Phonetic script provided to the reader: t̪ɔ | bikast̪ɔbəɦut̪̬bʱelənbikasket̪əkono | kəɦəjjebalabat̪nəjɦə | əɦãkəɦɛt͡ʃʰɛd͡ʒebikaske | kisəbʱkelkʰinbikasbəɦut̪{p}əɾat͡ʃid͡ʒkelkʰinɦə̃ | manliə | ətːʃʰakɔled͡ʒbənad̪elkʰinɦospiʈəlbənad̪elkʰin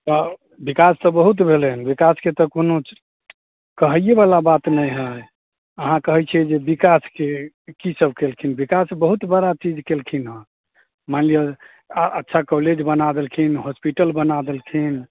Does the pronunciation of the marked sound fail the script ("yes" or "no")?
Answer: yes